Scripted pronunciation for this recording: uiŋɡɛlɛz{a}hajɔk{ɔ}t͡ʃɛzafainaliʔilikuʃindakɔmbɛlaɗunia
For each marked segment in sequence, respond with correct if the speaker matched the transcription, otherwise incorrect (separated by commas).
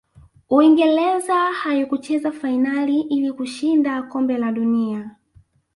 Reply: correct, incorrect